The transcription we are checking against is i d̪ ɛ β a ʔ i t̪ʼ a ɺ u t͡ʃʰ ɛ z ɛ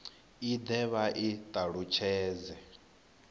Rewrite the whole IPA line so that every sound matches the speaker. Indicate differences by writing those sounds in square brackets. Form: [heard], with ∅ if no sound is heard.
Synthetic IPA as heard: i d̪ ɛ β a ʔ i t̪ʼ a ɺ u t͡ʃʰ [ɛː] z ɛ